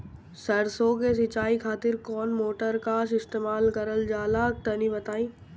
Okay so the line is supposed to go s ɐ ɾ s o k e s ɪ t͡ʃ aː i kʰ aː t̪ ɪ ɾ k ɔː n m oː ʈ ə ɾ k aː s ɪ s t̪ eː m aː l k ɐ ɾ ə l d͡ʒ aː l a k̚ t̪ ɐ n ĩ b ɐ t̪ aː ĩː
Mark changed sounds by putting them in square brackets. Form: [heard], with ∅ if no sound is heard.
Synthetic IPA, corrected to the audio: s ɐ ɾ s o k e s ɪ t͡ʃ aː i kʰ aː t̪ ɪ ɾ k ɔː n m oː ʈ ə ɾ k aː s ɪ s t̪ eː m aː l k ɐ ɾ ə l d͡ʒ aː l a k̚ t̪ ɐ n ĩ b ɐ t̪ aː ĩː